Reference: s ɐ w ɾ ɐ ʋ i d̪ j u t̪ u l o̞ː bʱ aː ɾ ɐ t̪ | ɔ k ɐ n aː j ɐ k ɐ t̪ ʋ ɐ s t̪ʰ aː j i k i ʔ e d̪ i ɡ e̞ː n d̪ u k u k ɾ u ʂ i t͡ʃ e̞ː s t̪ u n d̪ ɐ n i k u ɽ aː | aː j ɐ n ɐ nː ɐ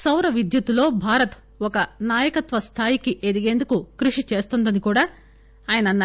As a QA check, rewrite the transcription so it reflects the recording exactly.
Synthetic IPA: s ɐ w ɾ ɐ ʋ i d̪ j u t̪ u l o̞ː bʱ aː ɾ ɐ t̪ | ɔ k ɐ n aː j ɐ k ɐ t̪ ʋ ɐ s t̪ʰ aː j i k i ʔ e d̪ i ɡ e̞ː n d̪ u k u k ɾ u ʂ i t͡ʃ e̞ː s t̪ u n d̪ ɐ n i k uː ɽ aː | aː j ɐ n ɐ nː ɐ